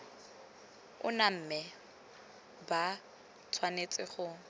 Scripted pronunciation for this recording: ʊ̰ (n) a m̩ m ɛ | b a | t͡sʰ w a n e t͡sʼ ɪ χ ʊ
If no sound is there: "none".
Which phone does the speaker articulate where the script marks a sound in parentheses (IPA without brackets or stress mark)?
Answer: n